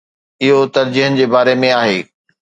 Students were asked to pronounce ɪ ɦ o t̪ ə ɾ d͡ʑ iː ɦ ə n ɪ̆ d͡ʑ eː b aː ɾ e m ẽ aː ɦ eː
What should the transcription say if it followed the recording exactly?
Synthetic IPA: ɪ ɦ o t̪ ɐ ɾ d͡ʑ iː ɦ ə n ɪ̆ d͡ʑ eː b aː ɾ e m ẽ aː ɦ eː

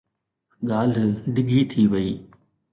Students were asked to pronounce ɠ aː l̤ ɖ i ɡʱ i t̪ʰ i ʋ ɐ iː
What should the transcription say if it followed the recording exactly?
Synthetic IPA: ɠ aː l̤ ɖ ɪ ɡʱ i t̪ʰ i ʋ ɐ iː

